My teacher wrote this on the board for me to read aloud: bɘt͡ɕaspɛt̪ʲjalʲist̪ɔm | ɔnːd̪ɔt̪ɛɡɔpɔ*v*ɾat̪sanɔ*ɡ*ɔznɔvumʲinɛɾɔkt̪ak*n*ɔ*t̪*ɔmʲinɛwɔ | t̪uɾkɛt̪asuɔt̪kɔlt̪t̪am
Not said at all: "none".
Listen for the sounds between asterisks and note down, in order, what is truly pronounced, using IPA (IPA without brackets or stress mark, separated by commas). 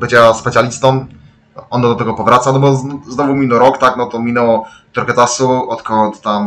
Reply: v, b, n, t̪